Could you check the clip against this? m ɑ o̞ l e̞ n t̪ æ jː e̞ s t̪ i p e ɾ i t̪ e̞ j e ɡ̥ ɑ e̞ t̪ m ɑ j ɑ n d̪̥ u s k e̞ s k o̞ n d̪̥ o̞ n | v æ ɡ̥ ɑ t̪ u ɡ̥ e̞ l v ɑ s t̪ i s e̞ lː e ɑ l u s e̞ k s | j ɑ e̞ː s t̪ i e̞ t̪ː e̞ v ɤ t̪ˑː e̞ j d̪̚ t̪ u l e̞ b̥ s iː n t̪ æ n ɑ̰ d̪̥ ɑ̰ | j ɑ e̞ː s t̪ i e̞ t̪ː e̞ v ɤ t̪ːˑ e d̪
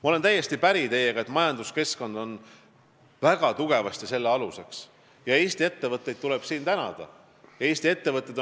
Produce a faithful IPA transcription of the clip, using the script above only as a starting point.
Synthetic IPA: m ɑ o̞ l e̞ n t̪ æ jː e̞ s t̪ i p æ ɾ i t̪ e̞ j e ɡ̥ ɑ e̞ t̪ m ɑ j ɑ n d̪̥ u s k e̞ s k o̞ n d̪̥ o̞ n | v æ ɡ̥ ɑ t̪ u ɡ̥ e̞ v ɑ s t̪ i s e̞ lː e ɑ l u s e̞ k s | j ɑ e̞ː s t̪ i e̞ t̪ː e̞ v ɤ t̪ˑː e̞ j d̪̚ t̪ u l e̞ b̥ s iː n t̪ æ n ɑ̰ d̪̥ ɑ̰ | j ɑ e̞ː s t̪ i e̞ t̪ː e̞ v ɤ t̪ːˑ e d̪